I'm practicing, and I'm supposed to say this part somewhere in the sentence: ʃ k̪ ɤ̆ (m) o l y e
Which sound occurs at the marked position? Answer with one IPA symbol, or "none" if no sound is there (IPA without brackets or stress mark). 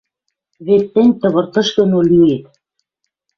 n